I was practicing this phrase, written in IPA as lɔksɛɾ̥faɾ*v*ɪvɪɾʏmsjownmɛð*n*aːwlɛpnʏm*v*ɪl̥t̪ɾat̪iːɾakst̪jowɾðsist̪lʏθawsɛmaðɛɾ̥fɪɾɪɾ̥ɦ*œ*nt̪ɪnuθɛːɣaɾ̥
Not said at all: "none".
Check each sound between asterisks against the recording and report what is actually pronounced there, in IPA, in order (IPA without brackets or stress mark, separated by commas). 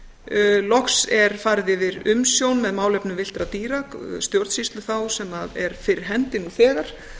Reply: ð, m, v, ɛ